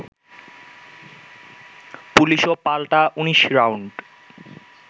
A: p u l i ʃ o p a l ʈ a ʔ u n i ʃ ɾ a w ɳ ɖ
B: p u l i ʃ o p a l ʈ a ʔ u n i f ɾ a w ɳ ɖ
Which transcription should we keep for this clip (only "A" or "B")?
A